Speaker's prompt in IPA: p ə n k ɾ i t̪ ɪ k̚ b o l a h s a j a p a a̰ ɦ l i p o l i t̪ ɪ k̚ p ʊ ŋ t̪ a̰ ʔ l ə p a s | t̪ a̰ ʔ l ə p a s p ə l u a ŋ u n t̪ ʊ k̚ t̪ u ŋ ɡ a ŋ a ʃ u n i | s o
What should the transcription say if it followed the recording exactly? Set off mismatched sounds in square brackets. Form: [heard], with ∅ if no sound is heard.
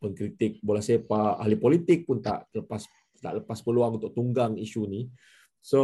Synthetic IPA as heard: p ə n k ɾ i t̪ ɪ k̚ b o l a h s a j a p a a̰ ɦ l i p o l i t̪ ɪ k̚ p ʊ [n] t̪ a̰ ʔ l ə p a s | t̪ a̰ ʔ l ə p a s p ə l u a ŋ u n t̪ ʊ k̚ t̪ u ŋ ɡ a ŋ [i] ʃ u n i | s o